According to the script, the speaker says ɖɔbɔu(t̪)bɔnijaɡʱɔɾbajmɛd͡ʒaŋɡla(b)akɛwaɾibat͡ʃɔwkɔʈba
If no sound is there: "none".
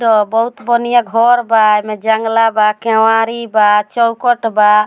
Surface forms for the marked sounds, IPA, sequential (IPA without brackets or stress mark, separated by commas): t̪, b